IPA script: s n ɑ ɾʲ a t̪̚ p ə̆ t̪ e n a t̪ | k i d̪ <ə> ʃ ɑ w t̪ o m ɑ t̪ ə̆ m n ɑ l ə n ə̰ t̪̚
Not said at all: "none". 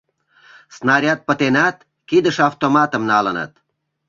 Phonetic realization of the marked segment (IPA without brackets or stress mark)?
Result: ə